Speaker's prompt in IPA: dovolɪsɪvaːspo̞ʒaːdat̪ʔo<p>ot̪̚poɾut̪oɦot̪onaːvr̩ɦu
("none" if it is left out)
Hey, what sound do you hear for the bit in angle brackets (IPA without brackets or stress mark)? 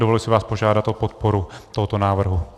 p